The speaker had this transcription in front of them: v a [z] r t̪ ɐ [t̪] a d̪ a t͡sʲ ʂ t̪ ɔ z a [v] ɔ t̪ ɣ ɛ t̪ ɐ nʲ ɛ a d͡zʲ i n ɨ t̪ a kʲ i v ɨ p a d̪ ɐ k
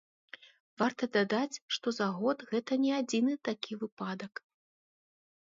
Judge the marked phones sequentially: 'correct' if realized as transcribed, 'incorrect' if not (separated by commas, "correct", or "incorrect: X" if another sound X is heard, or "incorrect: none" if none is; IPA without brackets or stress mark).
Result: incorrect: none, incorrect: d̪, incorrect: ɣ